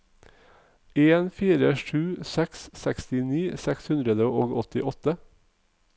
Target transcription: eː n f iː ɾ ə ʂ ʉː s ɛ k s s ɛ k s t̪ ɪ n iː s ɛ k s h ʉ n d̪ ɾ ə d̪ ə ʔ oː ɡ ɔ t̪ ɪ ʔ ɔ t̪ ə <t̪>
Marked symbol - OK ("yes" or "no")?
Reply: no